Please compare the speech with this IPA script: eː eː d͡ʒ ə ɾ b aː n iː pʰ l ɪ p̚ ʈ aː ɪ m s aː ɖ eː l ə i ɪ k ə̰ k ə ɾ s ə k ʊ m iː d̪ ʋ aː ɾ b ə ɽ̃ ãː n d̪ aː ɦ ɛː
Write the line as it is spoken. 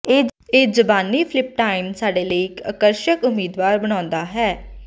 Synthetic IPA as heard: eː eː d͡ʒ ə b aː n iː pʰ l ɪ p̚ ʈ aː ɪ m s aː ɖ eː l ə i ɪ k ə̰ k ə ɾ ʃ ə k ʊ m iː d̪ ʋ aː ɾ b ə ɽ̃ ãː n d̪ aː ɦ ɛː